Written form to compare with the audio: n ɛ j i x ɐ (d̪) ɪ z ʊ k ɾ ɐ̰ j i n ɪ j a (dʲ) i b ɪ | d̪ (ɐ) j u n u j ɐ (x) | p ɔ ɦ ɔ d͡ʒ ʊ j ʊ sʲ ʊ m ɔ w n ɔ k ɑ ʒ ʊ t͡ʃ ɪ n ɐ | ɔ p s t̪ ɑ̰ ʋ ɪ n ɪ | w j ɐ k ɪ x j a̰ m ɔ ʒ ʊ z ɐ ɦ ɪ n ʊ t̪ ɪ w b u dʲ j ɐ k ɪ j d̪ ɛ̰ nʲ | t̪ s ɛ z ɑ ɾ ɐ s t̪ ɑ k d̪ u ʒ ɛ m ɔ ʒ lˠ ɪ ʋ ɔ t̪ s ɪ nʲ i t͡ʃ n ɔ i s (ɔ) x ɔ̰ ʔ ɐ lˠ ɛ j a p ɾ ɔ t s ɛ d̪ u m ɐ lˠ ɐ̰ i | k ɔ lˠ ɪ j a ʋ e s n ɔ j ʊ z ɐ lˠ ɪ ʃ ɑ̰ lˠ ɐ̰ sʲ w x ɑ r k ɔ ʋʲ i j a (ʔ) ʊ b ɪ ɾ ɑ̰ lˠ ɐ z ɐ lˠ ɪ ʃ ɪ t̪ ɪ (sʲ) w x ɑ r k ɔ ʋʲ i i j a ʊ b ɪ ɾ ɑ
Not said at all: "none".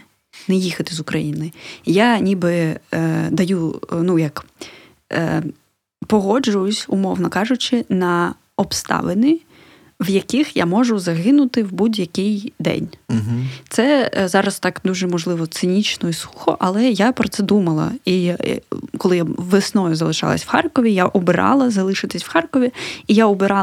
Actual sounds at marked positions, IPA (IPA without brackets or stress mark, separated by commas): t̪, nʲ, ɐ, k, u, ʔ, sʲ